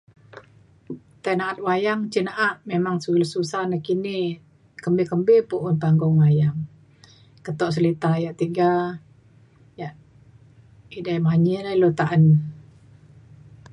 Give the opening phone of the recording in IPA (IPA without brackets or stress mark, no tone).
t̪